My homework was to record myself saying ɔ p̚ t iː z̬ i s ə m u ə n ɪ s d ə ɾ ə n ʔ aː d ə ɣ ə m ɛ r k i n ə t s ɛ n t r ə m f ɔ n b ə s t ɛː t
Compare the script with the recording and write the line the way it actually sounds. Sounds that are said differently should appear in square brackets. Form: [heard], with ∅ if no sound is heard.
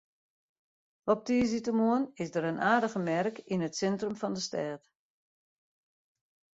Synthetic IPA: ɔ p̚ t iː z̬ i [t] ə m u ə n ɪ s d ə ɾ ə n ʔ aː d ə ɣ ə m ɛ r k i n ə t s ɛ n t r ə m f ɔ n [d] ə s t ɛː t